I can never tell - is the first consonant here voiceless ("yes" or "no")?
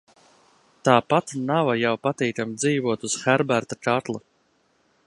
yes